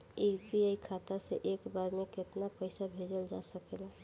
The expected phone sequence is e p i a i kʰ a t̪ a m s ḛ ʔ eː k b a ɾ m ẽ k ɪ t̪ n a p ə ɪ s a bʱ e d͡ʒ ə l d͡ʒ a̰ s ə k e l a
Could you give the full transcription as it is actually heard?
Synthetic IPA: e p i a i kʰ a t̪ a s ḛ ʔ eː k b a ɾ m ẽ k ɪ t̪ n a p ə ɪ s a bʱ e d͡ʒ ə l d͡ʒ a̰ s ə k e l a